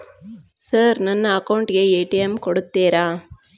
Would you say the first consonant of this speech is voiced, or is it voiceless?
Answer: voiceless